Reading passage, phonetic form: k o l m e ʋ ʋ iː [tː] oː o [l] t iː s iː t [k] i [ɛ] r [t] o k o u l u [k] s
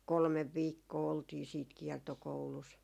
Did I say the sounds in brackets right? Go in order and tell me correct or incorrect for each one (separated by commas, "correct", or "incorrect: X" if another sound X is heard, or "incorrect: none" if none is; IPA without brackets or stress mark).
incorrect: kː, correct, correct, correct, correct, incorrect: none